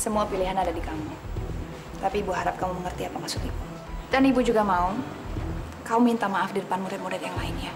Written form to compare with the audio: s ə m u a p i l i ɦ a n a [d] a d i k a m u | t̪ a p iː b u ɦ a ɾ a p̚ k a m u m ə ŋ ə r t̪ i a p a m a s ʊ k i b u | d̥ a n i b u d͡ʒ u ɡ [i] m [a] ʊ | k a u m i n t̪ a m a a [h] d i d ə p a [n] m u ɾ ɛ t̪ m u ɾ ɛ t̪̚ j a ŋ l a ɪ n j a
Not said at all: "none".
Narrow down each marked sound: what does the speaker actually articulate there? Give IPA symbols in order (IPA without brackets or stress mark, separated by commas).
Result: d, a, a, f, n